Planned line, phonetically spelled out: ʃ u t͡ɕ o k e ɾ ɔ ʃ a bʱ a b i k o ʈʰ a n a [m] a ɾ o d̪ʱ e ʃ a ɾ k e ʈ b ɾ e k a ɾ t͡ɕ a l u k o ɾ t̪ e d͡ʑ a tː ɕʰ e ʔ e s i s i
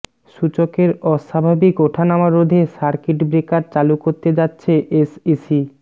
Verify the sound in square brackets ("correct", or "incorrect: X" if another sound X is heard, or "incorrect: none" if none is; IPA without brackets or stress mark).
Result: correct